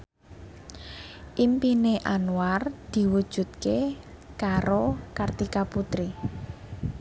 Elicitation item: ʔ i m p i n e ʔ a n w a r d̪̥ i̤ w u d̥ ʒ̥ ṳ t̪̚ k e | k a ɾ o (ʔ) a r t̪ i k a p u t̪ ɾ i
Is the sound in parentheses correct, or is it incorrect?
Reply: incorrect